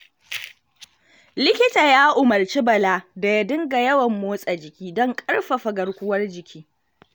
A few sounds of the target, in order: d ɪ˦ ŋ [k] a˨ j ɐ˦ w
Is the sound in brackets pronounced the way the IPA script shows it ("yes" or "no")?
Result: no